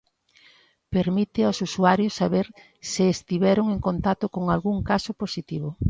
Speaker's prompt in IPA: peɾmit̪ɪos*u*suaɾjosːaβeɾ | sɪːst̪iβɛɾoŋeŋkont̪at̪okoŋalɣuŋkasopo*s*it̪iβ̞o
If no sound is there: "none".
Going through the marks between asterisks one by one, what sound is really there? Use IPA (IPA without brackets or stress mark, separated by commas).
u, s